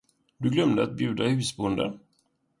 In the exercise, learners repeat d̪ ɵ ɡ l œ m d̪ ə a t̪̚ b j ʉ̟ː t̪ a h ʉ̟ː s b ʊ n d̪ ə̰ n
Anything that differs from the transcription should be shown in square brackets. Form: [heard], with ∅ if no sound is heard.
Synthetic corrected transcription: d̪ ɵ ɡ l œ m d̪ ə a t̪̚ b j ʉ̟ː [d̪] a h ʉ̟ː s b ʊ n d̪ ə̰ n